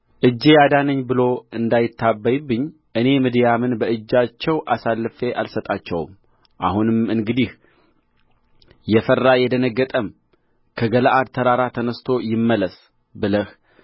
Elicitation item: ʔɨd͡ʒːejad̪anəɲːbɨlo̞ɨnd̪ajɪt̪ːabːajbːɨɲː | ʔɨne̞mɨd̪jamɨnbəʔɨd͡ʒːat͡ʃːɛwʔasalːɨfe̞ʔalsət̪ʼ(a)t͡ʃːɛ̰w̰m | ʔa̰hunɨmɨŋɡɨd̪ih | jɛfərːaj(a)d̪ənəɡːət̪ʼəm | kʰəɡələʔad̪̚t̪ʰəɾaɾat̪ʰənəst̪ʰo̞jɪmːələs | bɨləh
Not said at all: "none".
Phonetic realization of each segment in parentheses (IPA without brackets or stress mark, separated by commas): a, ɛ